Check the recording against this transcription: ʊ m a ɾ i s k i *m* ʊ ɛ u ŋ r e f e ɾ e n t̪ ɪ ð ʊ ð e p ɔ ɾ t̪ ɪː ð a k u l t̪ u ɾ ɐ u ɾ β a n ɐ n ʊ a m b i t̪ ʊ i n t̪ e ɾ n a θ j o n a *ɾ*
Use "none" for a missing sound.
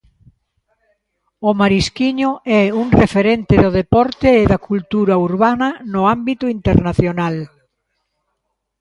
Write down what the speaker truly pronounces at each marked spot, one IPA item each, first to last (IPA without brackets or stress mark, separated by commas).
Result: ɲ, l